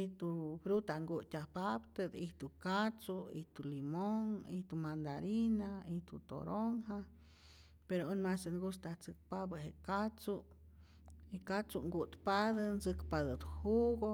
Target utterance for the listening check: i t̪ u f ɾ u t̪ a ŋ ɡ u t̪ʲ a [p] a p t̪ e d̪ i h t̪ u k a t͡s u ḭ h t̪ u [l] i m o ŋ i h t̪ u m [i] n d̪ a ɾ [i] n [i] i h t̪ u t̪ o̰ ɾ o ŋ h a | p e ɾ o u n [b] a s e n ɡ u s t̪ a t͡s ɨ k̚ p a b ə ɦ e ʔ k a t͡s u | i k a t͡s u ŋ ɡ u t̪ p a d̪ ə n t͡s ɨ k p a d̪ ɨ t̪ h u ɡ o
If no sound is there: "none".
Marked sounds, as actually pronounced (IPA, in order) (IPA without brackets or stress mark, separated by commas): p, l, a, i, a, m